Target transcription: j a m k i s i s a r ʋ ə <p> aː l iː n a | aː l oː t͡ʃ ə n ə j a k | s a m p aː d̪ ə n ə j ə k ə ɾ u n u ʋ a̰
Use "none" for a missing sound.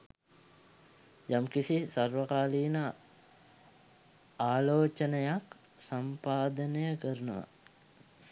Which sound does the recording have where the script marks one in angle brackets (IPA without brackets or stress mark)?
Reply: k